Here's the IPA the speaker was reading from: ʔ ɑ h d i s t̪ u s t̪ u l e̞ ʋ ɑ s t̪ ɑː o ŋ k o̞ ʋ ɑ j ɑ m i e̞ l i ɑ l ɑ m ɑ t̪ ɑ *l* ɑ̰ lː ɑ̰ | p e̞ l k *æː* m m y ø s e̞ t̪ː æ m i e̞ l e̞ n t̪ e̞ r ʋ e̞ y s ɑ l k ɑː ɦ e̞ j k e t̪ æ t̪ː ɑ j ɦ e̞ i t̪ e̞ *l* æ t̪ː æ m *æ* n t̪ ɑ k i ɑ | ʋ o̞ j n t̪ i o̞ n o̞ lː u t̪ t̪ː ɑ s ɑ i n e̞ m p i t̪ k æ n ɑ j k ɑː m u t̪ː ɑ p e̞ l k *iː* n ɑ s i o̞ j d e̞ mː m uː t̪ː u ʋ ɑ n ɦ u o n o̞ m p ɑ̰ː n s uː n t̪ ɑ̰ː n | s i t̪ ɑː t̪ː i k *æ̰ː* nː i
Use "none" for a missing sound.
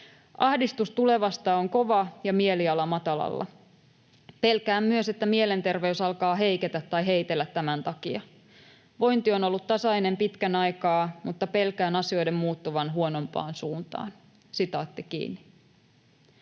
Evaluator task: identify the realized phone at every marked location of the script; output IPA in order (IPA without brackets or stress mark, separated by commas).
l, æː, lː, æ, æː, ḭː